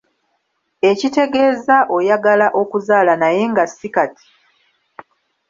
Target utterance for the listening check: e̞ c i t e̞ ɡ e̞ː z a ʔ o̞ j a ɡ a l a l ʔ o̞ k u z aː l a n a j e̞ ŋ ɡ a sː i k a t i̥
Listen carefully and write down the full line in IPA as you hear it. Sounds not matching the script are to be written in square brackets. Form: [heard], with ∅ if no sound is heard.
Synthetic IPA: e̞ c i t e̞ ɡ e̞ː z a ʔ o̞ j a ɡ a l a [∅] ʔ o̞ k u z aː l a n a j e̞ ŋ ɡ a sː i k a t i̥